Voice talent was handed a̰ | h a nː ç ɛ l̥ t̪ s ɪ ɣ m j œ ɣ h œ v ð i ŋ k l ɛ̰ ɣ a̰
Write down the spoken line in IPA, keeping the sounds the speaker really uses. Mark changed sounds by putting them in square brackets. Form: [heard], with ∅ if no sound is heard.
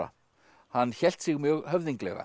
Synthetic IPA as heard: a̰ | h a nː ç ɛ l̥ t̪ s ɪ ɣ m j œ ɣ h œ v ð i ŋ k l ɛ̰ ɣ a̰